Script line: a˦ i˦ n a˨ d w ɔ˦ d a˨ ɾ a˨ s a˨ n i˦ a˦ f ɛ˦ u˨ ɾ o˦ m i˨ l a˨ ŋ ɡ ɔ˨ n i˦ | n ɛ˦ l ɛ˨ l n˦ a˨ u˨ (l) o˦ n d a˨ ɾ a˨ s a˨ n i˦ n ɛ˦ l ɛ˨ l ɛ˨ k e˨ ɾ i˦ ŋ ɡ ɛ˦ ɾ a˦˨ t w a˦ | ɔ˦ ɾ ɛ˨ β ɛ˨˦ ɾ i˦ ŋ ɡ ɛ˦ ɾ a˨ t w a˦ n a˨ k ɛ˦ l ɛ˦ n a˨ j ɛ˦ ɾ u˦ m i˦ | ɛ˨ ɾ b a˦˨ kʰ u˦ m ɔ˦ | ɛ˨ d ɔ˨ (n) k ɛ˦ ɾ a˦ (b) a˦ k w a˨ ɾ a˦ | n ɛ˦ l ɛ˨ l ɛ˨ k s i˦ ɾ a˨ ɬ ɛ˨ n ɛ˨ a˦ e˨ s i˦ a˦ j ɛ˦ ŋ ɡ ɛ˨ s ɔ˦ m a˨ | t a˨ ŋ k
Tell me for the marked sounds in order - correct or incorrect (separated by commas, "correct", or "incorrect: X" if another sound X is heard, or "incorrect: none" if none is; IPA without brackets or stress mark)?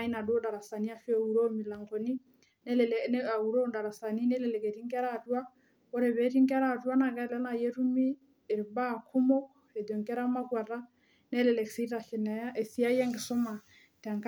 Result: incorrect: ɾ, incorrect: ŋ, incorrect: m